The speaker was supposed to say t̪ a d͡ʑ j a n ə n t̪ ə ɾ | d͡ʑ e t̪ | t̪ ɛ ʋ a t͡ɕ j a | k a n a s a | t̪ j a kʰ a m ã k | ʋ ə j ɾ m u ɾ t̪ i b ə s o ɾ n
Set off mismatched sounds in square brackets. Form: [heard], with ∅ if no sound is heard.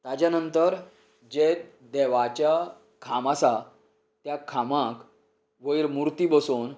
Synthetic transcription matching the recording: t̪ a d͡ʑ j a n ə n t̪ ə ɾ | d͡ʑ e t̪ | [d̪] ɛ ʋ a t͡ɕ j a | [kʰ] a [m] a s a | t̪ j a kʰ a m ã k | ʋ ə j ɾ m u ɾ t̪ i b ə s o [∅] n